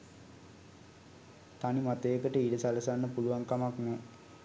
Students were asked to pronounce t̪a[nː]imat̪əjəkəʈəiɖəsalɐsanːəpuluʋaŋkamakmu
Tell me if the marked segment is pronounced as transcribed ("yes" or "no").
no